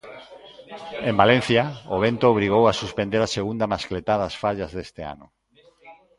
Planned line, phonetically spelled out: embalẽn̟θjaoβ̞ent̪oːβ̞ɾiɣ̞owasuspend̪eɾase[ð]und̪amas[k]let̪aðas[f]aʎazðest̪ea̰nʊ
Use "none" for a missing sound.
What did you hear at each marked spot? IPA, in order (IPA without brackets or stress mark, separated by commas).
ɣ, k, f